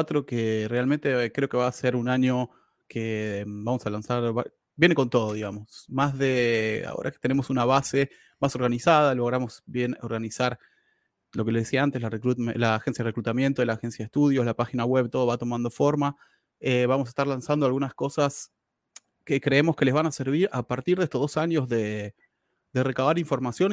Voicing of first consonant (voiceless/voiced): voiceless